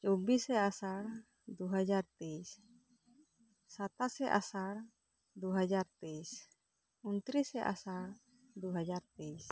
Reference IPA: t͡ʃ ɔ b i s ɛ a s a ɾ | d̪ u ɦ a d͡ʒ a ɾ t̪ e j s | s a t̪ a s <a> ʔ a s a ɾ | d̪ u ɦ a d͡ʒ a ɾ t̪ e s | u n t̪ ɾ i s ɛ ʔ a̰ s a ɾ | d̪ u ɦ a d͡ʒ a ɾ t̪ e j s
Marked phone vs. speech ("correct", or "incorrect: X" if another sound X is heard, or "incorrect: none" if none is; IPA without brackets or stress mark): incorrect: ɛ